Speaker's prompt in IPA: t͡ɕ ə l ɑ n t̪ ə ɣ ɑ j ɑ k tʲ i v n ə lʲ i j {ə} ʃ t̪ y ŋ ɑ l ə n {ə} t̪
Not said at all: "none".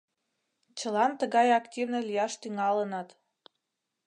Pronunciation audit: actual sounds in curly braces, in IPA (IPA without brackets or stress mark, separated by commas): ɑ, ɑ